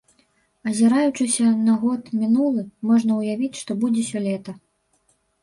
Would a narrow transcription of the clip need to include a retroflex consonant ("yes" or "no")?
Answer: yes